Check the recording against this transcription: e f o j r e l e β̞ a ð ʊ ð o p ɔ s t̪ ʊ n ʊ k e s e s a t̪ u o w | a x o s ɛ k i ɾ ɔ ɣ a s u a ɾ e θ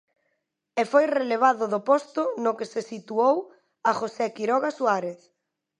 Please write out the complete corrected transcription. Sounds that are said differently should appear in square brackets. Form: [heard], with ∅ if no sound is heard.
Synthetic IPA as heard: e f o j r e l e β̞ a ð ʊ ð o p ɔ s t̪ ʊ n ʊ k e s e s [i] t̪ u o w | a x o s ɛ k i ɾ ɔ ɣ a s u a ɾ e θ